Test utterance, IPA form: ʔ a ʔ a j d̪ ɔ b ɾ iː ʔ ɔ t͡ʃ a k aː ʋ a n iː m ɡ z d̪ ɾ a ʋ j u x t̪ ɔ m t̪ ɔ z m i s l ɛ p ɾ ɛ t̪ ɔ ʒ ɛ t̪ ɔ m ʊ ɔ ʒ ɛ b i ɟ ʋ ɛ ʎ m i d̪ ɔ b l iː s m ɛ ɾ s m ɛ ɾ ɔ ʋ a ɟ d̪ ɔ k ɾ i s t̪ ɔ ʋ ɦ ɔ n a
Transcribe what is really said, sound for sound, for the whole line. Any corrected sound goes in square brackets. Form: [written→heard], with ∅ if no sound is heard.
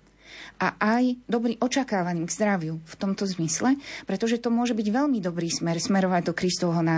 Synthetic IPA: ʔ a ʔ a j d̪ ɔ b ɾ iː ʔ ɔ t͡ʃ a k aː ʋ a n iː m ɡ z d̪ ɾ a ʋ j u [x→f] t̪ ɔ m t̪ ɔ z m i s l ɛ p ɾ ɛ t̪ ɔ ʒ ɛ t̪ ɔ m ʊ ɔ ʒ ɛ b i ɟ ʋ ɛ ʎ m i d̪ ɔ b [l→ɾ] iː s m ɛ ɾ s m ɛ ɾ ɔ ʋ a ɟ d̪ ɔ k ɾ i s t̪ ɔ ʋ ɦ ɔ n a